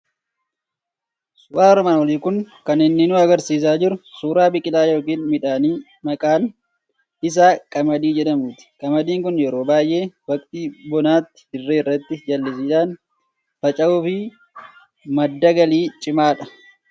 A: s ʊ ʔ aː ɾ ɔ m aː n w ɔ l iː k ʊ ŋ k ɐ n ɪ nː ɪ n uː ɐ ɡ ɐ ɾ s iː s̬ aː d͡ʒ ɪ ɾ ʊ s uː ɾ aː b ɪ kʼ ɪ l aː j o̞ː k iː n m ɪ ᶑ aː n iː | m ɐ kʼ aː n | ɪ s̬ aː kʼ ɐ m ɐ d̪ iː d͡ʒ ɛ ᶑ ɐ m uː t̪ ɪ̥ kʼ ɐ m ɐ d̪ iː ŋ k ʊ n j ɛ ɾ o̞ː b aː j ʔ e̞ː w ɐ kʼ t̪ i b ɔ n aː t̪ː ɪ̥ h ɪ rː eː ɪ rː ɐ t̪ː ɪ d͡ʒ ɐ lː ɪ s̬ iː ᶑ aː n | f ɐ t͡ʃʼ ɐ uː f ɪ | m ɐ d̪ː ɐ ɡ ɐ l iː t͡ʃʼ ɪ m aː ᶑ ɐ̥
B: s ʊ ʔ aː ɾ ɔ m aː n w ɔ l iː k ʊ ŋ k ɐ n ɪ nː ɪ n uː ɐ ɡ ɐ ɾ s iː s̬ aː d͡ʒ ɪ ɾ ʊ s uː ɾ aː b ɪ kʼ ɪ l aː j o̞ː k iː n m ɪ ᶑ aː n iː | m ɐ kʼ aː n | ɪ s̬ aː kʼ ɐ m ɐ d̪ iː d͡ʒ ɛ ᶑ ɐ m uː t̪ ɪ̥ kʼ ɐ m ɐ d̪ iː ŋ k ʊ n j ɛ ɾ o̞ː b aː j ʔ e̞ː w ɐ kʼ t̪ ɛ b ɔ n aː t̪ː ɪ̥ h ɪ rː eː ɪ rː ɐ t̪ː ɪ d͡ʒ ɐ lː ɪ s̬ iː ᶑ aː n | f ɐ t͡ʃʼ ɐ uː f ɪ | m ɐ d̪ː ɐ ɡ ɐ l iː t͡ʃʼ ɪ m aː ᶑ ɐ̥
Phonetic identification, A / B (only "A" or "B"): A